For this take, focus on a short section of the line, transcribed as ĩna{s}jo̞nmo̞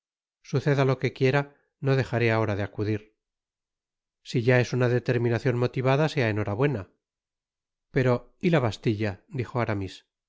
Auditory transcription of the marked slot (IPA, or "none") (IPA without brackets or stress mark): θ